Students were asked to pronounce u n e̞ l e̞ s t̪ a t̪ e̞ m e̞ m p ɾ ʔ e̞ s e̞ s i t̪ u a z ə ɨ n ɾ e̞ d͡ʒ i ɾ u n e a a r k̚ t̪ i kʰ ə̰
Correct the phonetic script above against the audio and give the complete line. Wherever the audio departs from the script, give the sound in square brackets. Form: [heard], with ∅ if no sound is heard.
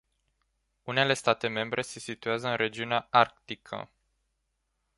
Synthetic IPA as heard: u n e̞ l e̞ s t̪ a t̪ e̞ m e̞ m [b] ɾ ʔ e̞ s e̞ s i t̪ u a z ə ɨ n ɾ e̞ d͡ʒ i [∅] u n e a a r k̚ t̪ i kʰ ə̰